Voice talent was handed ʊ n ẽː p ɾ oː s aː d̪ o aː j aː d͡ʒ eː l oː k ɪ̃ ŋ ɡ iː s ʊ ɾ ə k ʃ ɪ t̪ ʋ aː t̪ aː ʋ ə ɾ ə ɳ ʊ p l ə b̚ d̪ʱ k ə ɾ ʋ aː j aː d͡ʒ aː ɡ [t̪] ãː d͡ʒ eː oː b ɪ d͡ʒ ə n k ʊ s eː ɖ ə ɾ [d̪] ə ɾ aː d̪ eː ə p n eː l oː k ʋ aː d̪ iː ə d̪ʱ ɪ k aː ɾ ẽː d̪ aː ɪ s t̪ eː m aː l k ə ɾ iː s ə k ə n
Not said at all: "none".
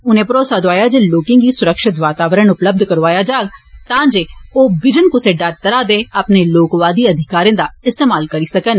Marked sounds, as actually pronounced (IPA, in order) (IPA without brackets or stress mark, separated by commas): t̪, t̪